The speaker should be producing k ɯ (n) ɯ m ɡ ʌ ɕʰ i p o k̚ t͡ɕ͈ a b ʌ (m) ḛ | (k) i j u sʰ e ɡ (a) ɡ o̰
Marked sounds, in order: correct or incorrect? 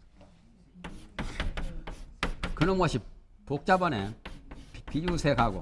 correct, incorrect, incorrect, correct

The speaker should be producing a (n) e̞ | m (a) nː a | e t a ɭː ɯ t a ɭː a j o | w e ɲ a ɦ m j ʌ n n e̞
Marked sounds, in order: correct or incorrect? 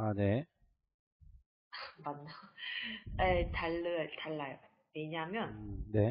correct, correct

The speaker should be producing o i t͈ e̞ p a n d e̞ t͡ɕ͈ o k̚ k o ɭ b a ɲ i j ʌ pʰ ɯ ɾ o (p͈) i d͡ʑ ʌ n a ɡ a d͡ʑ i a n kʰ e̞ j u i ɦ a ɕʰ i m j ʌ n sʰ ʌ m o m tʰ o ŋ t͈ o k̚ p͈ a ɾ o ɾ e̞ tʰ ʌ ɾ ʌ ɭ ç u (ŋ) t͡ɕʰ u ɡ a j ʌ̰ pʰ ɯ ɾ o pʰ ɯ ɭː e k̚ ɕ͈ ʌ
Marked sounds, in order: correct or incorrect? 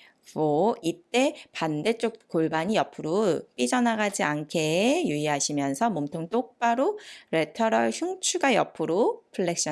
correct, correct

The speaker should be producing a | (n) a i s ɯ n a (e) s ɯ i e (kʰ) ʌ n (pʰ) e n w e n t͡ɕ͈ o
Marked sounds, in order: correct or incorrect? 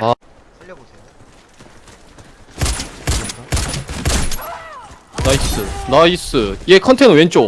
correct, incorrect, correct, incorrect

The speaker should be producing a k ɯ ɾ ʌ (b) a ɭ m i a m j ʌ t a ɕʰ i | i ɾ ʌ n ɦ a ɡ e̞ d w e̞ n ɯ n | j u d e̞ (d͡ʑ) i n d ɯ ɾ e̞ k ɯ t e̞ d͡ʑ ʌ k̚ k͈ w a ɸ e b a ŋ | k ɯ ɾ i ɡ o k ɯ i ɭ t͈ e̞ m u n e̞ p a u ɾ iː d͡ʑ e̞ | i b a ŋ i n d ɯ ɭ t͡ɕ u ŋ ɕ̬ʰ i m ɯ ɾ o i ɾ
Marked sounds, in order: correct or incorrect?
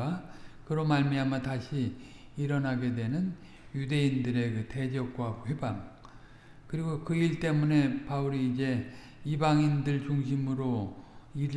incorrect, incorrect

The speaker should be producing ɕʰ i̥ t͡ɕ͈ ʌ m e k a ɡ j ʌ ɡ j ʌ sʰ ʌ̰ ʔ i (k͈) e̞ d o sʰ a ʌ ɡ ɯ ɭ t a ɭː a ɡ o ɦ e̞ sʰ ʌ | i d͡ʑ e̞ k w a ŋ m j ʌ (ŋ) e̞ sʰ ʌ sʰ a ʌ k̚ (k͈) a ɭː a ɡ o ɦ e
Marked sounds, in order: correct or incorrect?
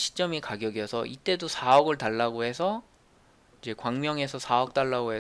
incorrect, correct, incorrect

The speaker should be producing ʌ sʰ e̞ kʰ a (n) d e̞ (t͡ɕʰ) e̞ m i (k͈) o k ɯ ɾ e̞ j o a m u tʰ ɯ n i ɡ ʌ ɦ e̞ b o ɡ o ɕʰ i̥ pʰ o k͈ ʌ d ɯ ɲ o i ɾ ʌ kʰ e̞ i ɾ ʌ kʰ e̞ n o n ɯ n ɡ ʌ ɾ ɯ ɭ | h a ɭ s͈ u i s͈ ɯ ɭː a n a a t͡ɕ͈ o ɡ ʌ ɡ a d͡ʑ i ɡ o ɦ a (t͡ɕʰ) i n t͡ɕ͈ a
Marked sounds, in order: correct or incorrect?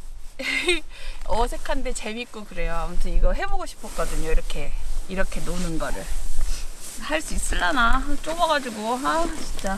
correct, incorrect, correct, incorrect

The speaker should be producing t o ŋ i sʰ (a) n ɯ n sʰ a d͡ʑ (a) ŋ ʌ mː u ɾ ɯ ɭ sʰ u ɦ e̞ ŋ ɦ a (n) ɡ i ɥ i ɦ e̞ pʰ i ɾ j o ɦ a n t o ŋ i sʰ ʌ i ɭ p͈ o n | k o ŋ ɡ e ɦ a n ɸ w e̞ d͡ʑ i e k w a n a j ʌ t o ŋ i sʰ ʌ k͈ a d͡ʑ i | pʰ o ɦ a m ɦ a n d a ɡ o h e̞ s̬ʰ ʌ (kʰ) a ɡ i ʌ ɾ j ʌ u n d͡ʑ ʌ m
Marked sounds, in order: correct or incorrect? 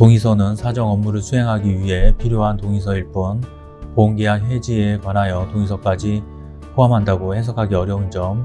incorrect, incorrect, incorrect, correct

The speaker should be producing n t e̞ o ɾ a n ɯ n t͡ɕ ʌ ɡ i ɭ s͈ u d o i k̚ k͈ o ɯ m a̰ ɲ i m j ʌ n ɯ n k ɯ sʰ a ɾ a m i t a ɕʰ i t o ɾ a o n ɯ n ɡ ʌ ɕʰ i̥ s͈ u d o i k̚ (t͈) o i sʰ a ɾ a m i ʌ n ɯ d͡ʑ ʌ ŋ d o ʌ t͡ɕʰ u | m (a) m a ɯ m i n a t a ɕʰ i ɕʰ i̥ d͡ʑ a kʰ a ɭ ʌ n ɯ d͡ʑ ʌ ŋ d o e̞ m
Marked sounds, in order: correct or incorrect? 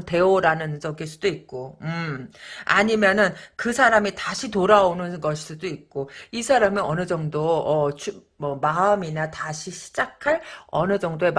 incorrect, incorrect

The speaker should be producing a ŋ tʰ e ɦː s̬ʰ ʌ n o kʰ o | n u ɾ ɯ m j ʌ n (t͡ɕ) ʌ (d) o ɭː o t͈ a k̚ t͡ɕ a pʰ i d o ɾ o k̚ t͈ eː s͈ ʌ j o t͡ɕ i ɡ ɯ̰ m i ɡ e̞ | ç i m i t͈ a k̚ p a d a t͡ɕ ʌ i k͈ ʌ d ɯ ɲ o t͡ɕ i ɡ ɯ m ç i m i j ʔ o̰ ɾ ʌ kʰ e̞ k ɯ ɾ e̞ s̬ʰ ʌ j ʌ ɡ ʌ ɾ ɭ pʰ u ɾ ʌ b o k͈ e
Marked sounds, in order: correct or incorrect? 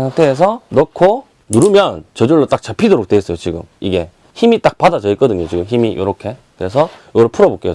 correct, incorrect

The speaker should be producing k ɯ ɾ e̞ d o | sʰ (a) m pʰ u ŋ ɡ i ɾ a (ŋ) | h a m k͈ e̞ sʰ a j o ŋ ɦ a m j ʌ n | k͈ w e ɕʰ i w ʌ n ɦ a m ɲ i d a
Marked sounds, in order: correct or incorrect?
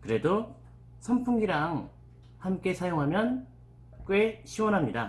incorrect, correct

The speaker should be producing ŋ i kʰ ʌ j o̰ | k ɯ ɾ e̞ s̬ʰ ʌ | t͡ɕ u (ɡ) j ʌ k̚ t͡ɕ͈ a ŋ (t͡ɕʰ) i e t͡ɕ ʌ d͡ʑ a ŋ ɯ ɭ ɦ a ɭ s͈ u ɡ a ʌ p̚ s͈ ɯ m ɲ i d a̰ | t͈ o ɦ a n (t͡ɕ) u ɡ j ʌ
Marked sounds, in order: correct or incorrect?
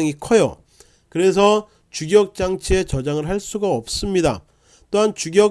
correct, correct, correct

